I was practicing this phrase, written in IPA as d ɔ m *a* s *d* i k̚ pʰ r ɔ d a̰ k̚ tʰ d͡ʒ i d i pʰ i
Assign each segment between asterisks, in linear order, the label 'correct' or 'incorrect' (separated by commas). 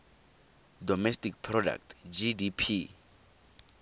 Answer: incorrect, incorrect